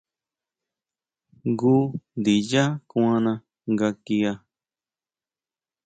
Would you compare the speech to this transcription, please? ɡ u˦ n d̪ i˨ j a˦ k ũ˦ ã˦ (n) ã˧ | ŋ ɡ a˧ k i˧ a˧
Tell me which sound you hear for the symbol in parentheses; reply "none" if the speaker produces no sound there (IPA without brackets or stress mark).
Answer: n